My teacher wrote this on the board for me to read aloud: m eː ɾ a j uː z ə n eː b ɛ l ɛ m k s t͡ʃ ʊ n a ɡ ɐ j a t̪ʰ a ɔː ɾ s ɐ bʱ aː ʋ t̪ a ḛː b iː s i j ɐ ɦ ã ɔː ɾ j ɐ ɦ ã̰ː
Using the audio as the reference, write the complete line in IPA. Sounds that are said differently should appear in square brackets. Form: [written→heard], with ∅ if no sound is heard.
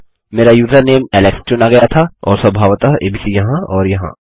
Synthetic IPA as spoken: m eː ɾ a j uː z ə n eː [b→m] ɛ l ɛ [m→∅] k s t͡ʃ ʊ n a ɡ ɐ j a t̪ʰ a ɔː ɾ s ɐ bʱ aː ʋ t̪ a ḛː b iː s i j ɐ ɦ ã ɔː ɾ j ɐ ɦ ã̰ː